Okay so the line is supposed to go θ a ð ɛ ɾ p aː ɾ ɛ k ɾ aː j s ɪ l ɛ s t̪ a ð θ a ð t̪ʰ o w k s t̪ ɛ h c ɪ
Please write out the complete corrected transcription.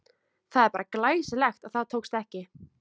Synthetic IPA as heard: θ a ð ɛ ɾ p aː ɾ a k l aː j s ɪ l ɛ x t̪ a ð θ a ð t̪ʰ o w k s t̪ ɛ h c ɪ